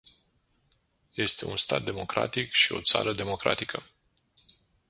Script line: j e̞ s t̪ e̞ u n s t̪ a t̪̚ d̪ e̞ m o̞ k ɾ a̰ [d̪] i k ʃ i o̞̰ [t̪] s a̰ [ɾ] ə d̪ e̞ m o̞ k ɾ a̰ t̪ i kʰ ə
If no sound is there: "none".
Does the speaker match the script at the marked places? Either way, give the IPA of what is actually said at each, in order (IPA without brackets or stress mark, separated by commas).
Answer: t̪, t̪, ɾ